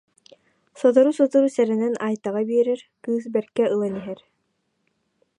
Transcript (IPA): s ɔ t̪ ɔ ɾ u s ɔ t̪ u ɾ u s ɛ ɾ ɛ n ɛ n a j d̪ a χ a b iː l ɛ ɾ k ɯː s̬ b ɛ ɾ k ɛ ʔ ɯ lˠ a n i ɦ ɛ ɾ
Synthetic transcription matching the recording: s ɔ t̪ ɔ ɾ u s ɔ t̪ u ɾ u s ɛ ɾ ɛ n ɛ n a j t̪ a ʁ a b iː ɾ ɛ ɾ k ɯː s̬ b ɛ ɾ k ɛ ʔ ɯ lˠ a n i ɦ ɛ ɾ